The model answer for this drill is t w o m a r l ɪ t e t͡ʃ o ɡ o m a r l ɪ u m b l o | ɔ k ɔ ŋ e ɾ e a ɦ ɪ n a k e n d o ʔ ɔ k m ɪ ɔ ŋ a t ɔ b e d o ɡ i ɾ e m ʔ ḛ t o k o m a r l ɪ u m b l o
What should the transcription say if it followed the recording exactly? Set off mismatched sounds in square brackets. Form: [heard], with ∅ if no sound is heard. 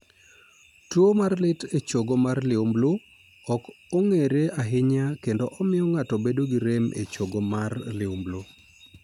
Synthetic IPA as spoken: t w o m a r l ɪ t e t͡ʃ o ɡ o m a r l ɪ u m b l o | ɔ k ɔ ŋ e ɾ e a ɦ ɪ [ɲ] a k e n d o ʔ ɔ [∅] m ɪ ɔ ŋ a t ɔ b e d o ɡ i ɾ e m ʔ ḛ [t͡ʃ] o [ɡ] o m a r l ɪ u m b l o